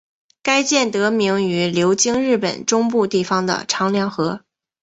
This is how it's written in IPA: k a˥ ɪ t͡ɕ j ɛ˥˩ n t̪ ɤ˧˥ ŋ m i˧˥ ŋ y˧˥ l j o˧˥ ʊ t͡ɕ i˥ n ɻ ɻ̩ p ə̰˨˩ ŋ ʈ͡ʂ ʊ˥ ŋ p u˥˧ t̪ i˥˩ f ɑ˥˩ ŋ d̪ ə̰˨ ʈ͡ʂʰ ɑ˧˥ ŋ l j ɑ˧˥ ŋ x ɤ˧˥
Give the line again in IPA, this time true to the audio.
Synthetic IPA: k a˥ ɪ t͡ɕ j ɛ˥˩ n t̪ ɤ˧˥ m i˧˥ ŋ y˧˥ l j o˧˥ ʊ t͡ɕ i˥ ŋ ɻ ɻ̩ p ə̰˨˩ n ʈ͡ʂ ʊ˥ ŋ p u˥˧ t̪ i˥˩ f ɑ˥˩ ŋ d̪ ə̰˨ ʈ͡ʂʰ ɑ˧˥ ŋ l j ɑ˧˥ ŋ x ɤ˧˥